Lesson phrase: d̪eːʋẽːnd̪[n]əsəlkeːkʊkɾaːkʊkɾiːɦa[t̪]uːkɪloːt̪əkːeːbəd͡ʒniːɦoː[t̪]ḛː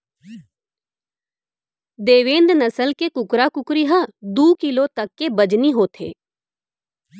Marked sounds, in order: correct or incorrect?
correct, incorrect: d̪, incorrect: t̪ʰ

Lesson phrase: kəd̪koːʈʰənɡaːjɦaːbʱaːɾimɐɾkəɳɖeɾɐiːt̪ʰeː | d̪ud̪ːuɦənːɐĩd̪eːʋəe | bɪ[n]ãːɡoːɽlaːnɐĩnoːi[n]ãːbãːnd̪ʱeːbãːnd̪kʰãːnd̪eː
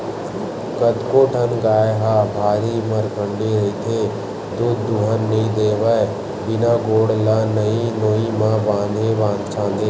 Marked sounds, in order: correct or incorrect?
correct, incorrect: m

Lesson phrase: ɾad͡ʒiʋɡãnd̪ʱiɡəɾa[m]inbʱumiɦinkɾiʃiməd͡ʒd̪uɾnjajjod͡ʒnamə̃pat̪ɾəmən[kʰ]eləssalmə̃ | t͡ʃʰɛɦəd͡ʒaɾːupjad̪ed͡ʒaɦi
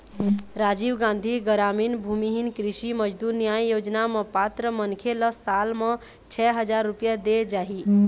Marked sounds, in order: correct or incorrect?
correct, correct

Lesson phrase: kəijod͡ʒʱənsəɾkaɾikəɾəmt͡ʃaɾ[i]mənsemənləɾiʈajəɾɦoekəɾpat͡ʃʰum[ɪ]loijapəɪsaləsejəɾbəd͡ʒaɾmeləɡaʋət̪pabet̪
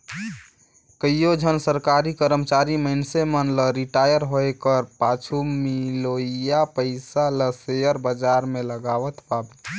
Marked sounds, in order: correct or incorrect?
correct, incorrect: i

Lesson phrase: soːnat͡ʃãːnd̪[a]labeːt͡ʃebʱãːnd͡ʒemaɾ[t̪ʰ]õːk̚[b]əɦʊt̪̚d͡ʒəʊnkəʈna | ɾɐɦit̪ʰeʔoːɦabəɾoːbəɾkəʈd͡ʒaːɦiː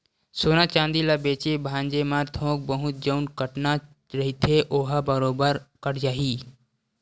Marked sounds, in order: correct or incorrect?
incorrect: i, correct, correct

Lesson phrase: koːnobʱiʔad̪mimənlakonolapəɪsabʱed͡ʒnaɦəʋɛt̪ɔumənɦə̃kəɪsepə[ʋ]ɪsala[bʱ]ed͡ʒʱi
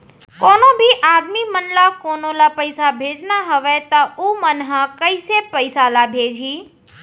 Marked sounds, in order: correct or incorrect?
incorrect: none, correct

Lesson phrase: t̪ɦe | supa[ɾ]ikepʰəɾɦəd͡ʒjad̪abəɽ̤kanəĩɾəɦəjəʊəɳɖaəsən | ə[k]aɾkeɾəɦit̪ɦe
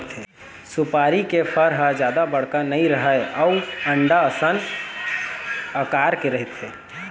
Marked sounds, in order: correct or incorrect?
correct, correct

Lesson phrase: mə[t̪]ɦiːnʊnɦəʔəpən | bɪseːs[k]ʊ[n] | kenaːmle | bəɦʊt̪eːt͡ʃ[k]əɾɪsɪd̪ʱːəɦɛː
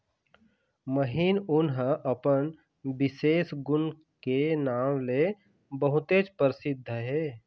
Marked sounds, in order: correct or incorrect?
incorrect: none, incorrect: ɡ, correct, incorrect: p

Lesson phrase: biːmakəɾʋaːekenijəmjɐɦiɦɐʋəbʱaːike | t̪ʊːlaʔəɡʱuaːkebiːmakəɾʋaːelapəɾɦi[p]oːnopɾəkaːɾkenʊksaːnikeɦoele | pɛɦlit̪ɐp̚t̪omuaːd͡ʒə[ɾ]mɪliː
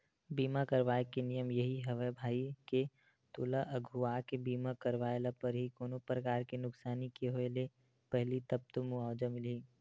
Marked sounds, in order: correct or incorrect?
incorrect: k, incorrect: none

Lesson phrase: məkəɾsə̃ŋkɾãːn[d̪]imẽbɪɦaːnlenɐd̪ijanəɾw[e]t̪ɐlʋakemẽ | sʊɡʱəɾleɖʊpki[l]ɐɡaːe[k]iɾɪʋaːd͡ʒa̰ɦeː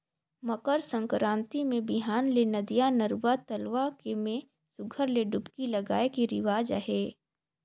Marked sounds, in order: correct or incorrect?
incorrect: t̪, incorrect: a, correct, correct

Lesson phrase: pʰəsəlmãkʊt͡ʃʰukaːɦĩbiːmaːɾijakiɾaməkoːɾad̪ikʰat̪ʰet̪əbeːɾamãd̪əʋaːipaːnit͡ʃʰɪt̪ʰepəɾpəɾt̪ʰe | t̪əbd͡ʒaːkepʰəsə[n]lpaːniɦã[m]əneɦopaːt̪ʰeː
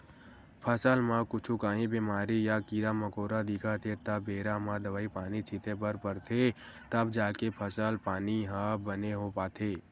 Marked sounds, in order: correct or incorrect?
incorrect: none, incorrect: b

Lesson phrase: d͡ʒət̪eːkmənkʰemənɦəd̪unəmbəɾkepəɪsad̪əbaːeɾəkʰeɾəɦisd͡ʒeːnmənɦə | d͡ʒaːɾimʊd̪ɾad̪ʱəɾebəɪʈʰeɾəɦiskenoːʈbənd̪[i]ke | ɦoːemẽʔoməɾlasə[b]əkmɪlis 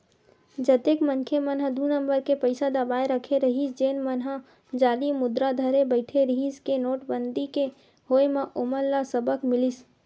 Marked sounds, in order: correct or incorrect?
correct, correct

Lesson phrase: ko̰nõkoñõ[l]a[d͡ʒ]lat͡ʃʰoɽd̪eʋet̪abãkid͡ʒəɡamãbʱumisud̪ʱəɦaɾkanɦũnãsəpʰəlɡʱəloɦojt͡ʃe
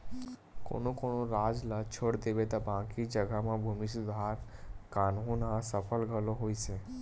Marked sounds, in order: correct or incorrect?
incorrect: ɾ, correct

